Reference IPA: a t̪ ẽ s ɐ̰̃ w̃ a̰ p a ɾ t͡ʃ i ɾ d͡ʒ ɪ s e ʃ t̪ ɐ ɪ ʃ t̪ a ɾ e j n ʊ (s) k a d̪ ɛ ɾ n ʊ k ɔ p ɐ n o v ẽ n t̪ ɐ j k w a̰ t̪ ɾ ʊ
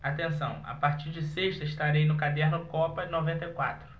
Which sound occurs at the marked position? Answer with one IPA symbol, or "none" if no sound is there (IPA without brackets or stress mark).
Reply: none